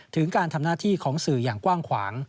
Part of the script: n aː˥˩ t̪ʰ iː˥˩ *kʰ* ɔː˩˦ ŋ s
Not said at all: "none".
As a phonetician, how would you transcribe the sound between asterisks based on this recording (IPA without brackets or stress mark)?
kʰ